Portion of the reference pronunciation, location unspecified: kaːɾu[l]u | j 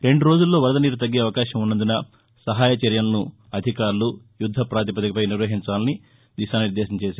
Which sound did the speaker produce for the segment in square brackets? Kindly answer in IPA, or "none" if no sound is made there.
l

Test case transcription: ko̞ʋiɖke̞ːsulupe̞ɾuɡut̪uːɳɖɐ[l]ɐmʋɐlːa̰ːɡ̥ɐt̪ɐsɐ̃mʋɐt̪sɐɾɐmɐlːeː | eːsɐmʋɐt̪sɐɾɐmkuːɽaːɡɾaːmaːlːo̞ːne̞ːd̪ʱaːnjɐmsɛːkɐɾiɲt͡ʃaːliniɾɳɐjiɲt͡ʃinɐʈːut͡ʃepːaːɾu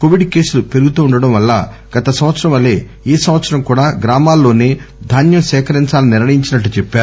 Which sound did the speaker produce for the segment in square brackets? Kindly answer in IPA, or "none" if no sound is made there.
ɽ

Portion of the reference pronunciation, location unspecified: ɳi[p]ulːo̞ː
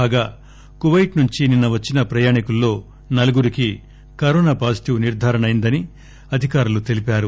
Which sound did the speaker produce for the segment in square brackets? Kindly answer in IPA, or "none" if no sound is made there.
k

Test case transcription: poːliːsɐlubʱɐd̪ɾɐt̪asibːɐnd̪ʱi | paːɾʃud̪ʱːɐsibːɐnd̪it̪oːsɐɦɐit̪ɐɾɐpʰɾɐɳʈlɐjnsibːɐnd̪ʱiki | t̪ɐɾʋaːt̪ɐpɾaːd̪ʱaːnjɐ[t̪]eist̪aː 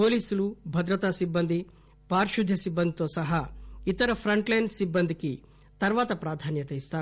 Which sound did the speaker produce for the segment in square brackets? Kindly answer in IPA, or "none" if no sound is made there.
t̪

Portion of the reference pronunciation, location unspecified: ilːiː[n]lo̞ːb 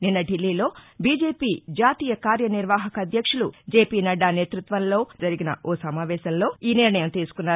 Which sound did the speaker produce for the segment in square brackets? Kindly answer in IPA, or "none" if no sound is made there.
none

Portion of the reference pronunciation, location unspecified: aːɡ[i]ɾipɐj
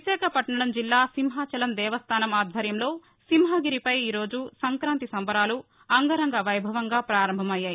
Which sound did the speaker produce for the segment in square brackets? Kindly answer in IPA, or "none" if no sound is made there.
i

